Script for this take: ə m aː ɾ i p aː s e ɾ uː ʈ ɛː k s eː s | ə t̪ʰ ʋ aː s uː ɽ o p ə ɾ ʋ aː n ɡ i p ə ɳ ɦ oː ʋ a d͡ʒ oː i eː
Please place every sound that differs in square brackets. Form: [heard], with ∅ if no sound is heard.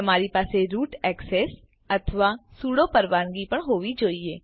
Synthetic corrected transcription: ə m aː ɾ i p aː s e ɾ uː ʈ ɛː k s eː s | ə t̪ʰ ʋ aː s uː ɽ o p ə ɾ ʋ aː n ɡ i p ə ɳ ɦ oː ʋ [i] d͡ʒ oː i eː